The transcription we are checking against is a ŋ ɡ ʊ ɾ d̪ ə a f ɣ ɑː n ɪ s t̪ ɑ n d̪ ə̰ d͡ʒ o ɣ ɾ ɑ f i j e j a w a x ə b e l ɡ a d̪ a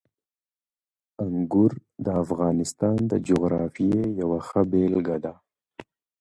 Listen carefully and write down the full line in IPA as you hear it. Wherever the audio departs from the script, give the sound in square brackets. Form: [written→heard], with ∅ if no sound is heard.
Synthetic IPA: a ŋ ɡ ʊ ɾ d̪ ə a f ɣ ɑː n ɪ s t̪ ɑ n d̪ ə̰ d͡ʒ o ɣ ɾ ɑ f i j e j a w a x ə b e l ɡ a d̪ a